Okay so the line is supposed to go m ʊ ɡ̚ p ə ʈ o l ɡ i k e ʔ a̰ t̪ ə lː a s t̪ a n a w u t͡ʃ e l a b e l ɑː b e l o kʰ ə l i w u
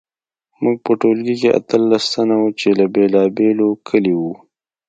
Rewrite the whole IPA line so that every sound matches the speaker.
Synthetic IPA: m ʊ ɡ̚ p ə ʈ o l ɡ i k e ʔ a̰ t̪ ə lː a s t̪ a n a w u t͡ʃ e l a b e l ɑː b e l o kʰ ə l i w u